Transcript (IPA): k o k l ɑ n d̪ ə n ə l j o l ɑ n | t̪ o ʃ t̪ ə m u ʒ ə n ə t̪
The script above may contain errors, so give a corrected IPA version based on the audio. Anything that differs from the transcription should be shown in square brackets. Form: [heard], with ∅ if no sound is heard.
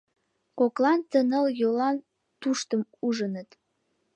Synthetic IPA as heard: k o k l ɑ n [t̪] ə n ə l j o l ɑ n | t̪ [u] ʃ t̪ ə m u ʒ ə n ə t̪